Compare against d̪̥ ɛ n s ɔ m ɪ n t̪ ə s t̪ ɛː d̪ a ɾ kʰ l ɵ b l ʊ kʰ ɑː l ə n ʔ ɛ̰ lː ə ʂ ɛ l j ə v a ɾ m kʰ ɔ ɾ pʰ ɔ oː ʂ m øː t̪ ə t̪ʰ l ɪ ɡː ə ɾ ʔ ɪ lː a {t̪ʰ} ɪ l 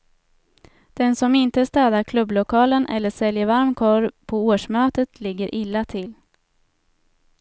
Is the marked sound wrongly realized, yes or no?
no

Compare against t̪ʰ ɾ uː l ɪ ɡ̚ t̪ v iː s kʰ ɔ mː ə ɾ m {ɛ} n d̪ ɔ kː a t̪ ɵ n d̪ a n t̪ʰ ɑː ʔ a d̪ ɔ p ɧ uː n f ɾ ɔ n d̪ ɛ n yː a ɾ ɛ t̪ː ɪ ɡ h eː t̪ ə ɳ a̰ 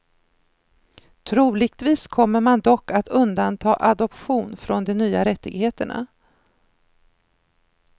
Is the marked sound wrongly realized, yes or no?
yes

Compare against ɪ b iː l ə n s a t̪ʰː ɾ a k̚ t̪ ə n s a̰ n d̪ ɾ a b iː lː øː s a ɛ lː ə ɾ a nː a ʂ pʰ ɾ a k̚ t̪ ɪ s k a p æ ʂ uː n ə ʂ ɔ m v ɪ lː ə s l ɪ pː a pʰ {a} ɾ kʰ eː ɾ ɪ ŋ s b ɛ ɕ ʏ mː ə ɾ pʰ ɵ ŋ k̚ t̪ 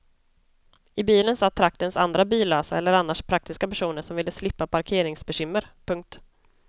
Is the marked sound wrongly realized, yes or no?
no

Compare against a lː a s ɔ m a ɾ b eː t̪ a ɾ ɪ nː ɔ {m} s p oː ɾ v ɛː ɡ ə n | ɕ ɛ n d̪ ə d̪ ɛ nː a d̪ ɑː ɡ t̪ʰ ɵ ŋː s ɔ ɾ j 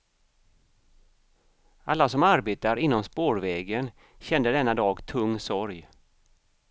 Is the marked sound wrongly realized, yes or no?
no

